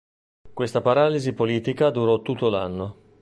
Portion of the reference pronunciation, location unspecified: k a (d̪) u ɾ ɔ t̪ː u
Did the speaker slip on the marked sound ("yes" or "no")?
no